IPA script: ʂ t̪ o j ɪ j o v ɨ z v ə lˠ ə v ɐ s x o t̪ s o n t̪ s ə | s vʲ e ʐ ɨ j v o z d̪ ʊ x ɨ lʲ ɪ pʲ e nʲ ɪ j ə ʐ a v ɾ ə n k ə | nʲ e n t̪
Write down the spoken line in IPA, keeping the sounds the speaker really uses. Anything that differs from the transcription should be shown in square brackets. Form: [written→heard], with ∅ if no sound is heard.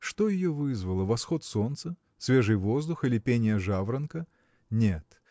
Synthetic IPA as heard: ʂ t̪ o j ɪ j o v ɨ z v ə lˠ ə v ɐ s x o t̪ s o n t̪ s ə | s vʲ e ʐ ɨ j v o z d̪ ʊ x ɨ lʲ ɪ pʲ e nʲ ɪ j ə ʐ a v ɾ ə n k ə | nʲ e [n→∅] t̪